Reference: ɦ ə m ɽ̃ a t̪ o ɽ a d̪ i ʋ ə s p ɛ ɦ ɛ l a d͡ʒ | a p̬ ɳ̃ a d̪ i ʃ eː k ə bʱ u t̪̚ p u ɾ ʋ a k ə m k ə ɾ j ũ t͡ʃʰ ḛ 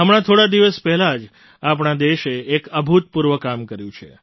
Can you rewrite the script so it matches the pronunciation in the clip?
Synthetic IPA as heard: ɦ ə m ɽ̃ a t̪ʰ o ɽ a d̪ i ʋ ə s p ɛ ɦ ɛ l a d͡ʒ | a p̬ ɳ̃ a d̪ e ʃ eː k ə bʱ u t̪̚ p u ɾ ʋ ə k a m k ə ɾ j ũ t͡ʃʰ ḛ